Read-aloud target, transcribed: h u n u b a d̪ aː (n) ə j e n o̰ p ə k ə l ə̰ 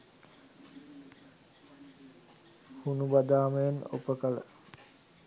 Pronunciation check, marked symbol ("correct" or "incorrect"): incorrect